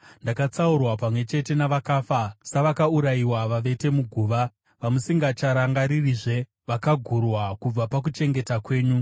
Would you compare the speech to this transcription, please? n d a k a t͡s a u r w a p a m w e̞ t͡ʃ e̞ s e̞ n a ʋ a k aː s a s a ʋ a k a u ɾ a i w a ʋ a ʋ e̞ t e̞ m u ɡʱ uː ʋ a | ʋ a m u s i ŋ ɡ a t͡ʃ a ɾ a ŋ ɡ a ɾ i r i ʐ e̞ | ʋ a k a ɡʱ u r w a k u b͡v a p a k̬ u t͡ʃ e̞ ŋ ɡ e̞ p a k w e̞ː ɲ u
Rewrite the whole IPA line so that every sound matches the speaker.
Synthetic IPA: n d a k a t͡s a u r w a p a m w e̞ t͡ʃ e̞ t e̞ n a ʋ a k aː f a s a ʋ a k a u ɾ a i w a ʋ a ʋ e̞ t e̞ m u ɡʱ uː ʋ a | ʋ a m u s i ŋ ɡ a t͡ʃ a ɾ a ŋ ɡ a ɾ i r i ʐ e̞ | ʋ a k a ɡʱ u r w a k u b͡v a p a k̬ u t͡ʃ e̞ ŋ ɡ e̞ t a k w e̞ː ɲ u